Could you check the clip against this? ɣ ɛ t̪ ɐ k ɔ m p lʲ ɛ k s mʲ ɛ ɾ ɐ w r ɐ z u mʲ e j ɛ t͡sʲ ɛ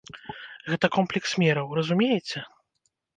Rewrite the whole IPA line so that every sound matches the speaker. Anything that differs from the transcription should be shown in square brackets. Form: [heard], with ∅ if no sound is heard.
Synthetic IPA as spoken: ɣ ɛ t̪ ɐ k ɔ m p lʲ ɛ k s mʲ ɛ ɾ ɐ w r ɐ z u mʲ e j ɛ t͡sʲ ɛ